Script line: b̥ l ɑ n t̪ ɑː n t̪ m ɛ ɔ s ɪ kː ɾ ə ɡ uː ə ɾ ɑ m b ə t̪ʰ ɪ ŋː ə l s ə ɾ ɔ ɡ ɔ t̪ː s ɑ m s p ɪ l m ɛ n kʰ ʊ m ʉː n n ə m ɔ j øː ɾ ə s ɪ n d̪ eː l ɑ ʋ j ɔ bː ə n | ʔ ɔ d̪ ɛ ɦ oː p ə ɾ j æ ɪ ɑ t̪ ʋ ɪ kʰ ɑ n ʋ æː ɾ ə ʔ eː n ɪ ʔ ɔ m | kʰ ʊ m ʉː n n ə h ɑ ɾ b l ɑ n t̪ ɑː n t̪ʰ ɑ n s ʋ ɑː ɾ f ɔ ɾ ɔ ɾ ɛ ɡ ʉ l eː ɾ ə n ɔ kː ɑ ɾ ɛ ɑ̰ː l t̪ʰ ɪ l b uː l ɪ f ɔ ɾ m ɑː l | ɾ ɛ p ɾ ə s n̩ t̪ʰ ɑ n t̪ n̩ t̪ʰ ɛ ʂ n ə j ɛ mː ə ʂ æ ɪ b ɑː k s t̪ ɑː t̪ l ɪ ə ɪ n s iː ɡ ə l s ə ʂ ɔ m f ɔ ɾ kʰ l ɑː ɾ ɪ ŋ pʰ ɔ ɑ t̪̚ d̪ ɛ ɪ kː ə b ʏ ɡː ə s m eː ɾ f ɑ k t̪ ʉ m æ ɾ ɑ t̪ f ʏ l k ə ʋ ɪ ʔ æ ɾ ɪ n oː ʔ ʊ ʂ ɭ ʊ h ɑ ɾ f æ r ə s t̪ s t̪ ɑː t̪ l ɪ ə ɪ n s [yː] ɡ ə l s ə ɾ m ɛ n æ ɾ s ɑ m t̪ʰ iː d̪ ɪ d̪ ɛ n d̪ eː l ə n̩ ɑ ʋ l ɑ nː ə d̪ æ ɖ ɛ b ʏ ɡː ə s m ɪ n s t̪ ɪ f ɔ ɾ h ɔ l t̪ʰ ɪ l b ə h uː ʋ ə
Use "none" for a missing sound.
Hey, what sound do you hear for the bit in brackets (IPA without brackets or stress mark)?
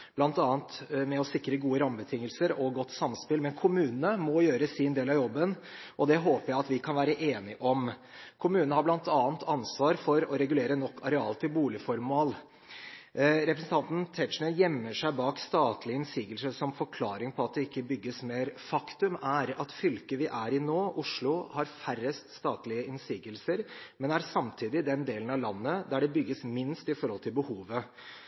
iː